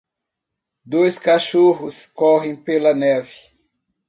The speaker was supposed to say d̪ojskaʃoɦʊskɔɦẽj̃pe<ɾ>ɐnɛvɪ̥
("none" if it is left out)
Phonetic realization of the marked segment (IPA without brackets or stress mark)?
l